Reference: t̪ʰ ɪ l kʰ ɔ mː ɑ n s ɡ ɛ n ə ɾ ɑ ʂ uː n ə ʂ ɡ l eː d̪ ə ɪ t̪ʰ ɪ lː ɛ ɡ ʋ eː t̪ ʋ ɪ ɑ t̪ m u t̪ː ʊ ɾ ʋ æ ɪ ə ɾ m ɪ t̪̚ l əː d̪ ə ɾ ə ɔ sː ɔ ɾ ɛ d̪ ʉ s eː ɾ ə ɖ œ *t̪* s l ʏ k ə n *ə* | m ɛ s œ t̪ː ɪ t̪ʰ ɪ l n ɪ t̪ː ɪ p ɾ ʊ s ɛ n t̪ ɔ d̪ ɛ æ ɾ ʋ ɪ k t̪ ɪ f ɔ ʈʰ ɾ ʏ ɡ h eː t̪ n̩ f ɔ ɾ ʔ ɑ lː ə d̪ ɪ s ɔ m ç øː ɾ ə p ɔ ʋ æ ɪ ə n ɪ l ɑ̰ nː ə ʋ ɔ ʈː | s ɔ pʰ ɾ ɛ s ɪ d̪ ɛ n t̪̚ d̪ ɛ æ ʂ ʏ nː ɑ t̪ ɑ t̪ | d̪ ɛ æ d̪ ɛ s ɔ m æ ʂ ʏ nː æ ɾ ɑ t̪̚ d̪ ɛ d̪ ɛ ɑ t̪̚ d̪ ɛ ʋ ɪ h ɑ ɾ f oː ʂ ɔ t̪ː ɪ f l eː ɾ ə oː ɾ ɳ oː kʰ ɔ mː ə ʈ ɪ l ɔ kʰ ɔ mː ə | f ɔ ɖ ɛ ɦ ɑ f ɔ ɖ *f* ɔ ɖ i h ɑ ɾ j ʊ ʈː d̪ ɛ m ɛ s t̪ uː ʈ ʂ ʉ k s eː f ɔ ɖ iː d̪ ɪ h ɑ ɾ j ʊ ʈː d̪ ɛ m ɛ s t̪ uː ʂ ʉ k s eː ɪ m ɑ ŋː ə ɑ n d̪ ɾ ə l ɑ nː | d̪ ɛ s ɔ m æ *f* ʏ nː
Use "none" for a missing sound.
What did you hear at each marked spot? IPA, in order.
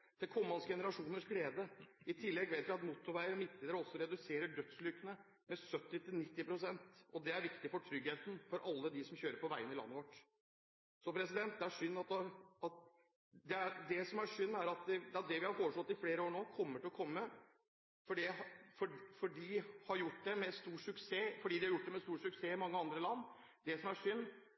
t̪, ə, f, ʂ

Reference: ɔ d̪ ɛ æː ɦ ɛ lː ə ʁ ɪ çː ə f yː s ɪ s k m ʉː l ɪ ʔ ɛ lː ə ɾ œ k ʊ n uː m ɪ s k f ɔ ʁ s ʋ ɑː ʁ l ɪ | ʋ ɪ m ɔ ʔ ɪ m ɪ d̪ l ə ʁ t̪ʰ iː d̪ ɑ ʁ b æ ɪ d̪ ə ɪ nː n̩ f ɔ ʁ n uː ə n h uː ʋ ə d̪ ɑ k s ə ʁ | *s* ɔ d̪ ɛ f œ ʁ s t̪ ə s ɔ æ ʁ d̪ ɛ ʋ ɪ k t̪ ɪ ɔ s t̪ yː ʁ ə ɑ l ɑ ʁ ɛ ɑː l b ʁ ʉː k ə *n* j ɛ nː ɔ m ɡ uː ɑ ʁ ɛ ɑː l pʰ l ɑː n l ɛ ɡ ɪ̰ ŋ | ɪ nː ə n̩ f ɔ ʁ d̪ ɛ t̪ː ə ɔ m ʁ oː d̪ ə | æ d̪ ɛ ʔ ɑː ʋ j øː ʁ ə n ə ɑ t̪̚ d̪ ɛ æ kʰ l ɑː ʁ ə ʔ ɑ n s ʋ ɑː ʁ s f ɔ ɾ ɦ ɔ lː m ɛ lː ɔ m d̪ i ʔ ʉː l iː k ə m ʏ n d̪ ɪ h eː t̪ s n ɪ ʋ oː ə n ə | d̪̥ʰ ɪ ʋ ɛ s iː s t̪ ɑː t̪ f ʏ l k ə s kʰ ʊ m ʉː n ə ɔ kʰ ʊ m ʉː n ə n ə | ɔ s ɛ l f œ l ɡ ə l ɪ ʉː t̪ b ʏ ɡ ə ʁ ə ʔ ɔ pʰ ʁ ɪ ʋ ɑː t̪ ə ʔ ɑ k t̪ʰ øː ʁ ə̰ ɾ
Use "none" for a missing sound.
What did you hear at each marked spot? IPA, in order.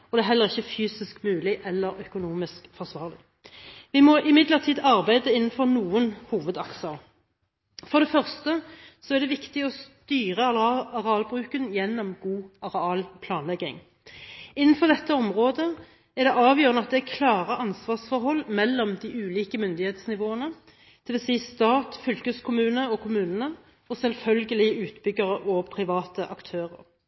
f, n

